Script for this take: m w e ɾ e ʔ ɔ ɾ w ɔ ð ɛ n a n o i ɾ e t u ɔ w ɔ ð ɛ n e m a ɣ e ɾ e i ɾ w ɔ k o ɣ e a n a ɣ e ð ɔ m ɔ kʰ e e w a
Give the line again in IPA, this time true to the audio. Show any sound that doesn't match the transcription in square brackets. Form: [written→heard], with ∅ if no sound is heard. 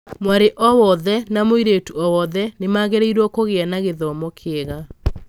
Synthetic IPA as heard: m w [e→a] ɾ e ʔ ɔ [ɾ→∅] w ɔ ð ɛ n a [n→m] o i ɾ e t u ɔ w ɔ ð ɛ n e m a ɣ e ɾ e i ɾ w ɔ k o ɣ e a n a ɣ e ð ɔ m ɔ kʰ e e [w→ɣ] a